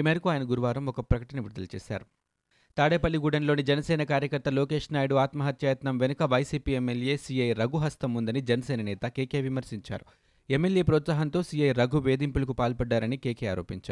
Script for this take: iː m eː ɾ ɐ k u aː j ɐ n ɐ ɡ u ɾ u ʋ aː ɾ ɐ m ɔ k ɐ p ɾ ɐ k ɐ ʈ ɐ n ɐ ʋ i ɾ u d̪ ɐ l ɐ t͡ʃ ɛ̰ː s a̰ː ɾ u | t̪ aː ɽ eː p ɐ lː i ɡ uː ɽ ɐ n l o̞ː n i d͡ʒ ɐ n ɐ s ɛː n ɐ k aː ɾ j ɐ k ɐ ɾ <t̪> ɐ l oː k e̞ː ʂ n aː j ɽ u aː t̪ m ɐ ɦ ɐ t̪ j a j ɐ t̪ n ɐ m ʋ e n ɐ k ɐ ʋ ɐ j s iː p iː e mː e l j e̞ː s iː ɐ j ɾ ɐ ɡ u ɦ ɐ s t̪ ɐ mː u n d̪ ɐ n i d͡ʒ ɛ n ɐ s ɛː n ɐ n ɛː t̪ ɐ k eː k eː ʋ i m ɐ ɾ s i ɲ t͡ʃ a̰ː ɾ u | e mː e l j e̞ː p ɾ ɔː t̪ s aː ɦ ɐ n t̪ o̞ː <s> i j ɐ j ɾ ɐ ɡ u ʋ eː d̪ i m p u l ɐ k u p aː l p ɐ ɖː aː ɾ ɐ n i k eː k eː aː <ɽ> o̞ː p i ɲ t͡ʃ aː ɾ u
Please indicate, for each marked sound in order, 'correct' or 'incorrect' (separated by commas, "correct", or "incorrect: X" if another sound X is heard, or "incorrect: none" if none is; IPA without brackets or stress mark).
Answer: correct, correct, incorrect: ɾ